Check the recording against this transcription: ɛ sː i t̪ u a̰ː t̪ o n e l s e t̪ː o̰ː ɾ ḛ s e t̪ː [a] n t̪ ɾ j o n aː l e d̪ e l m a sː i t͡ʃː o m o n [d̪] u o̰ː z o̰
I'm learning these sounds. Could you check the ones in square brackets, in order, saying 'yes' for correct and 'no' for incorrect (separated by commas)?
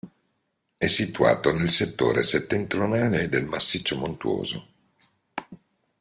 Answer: no, no